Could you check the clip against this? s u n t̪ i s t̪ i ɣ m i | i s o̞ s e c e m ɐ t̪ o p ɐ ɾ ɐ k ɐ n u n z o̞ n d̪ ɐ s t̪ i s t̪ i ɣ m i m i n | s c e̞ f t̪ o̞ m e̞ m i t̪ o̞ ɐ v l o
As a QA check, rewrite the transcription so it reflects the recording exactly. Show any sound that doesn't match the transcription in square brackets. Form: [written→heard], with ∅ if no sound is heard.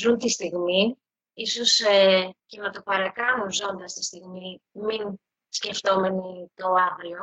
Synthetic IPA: [s→z] u n t̪ i s t̪ i ɣ m i | i s o̞ s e c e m ɐ t̪ o p ɐ ɾ ɐ k ɐ n u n z o̞ n d̪ ɐ s t̪ i s t̪ i ɣ m i m i n | s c e̞ f t̪ o̞ m e̞ [m→n] i t̪ o̞ ɐ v l o